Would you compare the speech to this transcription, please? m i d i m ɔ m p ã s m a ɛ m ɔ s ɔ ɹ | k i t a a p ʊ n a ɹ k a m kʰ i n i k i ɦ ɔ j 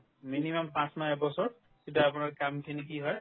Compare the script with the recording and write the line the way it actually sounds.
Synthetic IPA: m i n i m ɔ m p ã s m a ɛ b ɔ s ɔ ɹ | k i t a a p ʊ n a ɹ k a m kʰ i n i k i ɦ ɔ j